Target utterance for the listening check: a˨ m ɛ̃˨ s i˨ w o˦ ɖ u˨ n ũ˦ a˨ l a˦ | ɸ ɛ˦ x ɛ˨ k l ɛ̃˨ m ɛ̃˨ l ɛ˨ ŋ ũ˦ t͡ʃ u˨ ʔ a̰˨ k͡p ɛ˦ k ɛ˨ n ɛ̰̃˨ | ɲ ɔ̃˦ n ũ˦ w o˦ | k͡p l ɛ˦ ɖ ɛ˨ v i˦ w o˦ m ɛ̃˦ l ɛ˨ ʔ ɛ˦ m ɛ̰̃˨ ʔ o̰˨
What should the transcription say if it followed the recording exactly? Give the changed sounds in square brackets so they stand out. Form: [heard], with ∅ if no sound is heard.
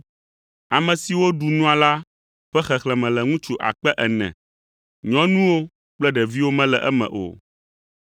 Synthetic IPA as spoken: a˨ m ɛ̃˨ s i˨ w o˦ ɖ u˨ n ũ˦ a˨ l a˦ | ɸ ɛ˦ x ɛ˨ [x] l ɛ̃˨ m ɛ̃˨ l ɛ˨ ŋ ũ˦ t͡ʃ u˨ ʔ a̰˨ k͡p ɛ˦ [ʔ] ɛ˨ n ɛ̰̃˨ | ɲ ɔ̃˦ n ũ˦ w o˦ | k͡p l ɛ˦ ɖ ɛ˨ v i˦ w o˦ m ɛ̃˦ l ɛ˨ ʔ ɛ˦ m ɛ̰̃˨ ʔ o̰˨